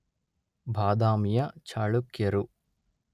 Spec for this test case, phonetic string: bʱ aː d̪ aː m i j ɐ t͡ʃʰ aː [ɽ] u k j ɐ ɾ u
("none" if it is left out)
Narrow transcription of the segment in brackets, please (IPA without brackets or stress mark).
ɭ